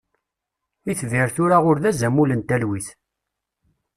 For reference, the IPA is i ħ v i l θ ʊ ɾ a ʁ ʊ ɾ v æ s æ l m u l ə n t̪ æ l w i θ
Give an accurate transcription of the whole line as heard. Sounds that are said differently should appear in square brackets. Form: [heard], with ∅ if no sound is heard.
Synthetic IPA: i [θ] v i [ɾ] θ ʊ ɾ a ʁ ʊ ɾ [ð] æ [z] æ [∅] m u l ə n t̪ æ l w i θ

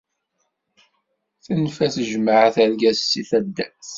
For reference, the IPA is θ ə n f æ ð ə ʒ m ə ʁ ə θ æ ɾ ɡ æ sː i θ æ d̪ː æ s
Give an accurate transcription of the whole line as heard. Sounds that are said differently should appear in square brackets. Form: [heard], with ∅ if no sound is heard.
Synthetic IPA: θ ə n f æ [θ] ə ʒ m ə [ʕ] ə θ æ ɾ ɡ æ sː i θ æ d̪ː æ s

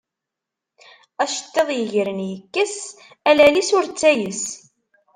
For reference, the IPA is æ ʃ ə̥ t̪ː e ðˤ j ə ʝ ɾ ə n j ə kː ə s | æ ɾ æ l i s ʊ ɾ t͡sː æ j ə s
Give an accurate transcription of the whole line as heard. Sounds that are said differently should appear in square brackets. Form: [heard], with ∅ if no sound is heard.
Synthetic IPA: æ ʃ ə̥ t̪ː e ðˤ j ə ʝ ɾ ə n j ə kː ə s | æ [l] æ l i s ʊ ɾ t͡sː æ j ə s

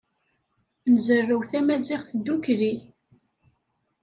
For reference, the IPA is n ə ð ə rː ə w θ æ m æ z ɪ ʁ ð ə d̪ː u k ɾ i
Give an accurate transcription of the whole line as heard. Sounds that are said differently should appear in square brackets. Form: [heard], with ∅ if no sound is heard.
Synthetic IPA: n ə [z] ə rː ə w θ æ m æ z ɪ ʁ [θ] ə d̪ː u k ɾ i

